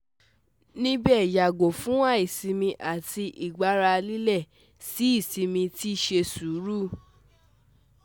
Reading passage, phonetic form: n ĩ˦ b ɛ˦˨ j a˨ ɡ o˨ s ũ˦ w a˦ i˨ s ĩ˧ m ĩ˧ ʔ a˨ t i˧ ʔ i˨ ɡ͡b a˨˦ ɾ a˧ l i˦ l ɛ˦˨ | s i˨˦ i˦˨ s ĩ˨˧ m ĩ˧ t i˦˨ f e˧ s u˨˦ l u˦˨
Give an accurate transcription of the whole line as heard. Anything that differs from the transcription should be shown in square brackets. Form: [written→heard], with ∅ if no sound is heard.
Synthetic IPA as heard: n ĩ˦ b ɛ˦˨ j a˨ ɡ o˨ [s→f] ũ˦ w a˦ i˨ s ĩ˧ m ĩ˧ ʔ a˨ t i˧ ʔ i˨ ɡ͡b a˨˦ ɾ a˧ l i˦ l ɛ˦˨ | s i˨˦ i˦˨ s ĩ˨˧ m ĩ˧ t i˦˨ [f→ʃ] e˧ s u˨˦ [l→ɾ] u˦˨